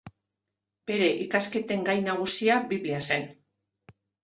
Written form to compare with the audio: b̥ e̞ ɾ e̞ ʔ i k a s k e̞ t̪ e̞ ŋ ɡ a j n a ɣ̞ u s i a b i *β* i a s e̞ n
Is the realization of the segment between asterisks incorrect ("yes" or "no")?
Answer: no